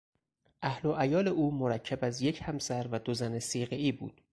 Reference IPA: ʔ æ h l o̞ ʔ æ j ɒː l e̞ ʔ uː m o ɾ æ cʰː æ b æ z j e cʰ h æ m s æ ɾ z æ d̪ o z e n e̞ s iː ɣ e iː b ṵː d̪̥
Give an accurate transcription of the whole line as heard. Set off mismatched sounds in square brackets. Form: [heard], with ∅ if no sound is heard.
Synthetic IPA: ʔ æ h l o̞ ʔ æ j ɒː l e̞ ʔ uː m o ɾ æ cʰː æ b æ z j e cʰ h æ m s æ ɾ [v] æ d̪ o z [æ] n e̞ s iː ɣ e iː b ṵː d̪̥